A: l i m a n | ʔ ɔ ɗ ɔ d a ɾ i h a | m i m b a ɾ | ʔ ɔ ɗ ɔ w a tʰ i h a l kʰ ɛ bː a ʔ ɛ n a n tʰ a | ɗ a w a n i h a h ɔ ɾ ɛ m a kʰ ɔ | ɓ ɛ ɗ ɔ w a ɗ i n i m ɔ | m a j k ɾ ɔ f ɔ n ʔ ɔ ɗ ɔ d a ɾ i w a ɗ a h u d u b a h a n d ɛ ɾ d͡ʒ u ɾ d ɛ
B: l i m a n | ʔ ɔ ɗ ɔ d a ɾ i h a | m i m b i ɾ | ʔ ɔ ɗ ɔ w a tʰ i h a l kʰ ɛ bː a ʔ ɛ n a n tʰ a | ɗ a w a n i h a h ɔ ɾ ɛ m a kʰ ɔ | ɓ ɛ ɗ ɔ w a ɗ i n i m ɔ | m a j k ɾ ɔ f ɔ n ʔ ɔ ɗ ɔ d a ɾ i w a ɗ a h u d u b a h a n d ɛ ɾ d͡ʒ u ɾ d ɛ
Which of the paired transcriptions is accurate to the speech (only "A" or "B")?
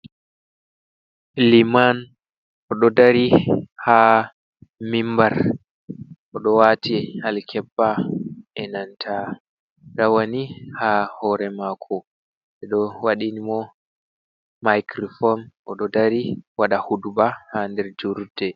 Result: A